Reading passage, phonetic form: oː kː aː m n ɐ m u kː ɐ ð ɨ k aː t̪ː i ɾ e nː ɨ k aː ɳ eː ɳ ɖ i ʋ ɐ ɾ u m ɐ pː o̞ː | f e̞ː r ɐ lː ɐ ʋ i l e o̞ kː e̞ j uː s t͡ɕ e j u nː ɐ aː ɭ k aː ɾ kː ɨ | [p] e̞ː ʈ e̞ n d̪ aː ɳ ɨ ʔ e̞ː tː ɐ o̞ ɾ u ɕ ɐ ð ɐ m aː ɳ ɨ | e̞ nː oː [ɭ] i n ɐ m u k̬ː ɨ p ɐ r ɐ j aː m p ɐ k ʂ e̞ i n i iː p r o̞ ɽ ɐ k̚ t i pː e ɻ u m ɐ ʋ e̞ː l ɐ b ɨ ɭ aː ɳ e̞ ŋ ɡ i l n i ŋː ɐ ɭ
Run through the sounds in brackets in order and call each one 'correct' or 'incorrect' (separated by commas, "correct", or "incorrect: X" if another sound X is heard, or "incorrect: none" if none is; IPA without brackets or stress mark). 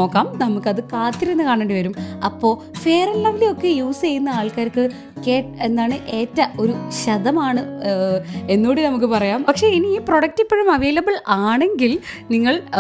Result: incorrect: k, incorrect: ɽ